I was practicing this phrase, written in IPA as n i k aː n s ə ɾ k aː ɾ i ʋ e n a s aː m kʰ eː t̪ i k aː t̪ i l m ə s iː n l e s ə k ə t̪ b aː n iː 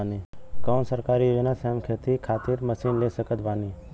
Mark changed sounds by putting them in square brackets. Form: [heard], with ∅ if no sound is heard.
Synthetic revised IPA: n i k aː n s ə ɾ k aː ɾ i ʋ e n a s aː m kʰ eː t̪ i [kʰ] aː t̪ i [ɾ] m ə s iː n l e s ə k ə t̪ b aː n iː